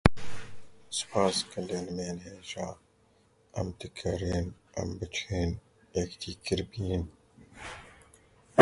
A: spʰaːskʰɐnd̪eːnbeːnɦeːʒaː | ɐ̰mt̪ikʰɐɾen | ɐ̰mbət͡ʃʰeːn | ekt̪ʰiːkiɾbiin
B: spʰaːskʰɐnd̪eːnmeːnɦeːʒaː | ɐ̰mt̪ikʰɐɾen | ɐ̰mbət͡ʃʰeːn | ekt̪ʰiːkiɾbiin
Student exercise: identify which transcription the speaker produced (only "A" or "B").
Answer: B